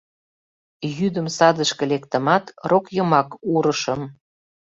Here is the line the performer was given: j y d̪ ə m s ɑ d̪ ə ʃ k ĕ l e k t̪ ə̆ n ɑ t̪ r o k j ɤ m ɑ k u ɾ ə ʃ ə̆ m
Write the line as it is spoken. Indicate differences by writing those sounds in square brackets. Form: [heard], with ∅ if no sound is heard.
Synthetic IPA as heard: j y d̪ ə m s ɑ d̪ ə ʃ k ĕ l e k t̪ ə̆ [m] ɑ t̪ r o k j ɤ m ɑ k u ɾ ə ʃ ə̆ m